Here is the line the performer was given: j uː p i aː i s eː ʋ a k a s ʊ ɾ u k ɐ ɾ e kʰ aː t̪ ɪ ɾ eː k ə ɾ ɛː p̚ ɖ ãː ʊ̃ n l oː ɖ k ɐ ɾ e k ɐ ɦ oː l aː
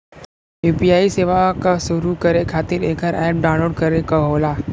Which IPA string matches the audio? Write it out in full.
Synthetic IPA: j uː p i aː i s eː ʋ a k a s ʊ ɾ u k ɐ ɾ e kʰ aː t̪ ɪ ɾ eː k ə ɾ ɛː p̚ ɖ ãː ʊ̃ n l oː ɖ k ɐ ɾ e k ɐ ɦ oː l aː